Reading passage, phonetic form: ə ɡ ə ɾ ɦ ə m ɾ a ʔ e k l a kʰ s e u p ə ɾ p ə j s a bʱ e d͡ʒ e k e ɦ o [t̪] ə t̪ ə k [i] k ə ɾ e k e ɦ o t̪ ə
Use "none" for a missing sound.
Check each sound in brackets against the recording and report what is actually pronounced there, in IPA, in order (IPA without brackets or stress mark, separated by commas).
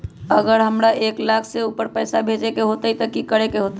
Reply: t̪, i